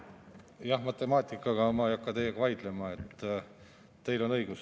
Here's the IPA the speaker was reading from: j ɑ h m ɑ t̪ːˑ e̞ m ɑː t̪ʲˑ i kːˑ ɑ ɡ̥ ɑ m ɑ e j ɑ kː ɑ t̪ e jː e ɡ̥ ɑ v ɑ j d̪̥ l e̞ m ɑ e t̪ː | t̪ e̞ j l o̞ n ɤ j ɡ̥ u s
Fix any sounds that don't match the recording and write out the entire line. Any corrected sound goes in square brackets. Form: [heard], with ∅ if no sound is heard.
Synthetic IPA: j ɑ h m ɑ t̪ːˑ e̞ m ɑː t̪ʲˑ i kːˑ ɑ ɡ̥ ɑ m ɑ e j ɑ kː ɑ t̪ e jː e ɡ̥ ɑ v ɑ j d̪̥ l e̞ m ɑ e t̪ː | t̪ e̞ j l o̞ n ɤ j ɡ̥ u s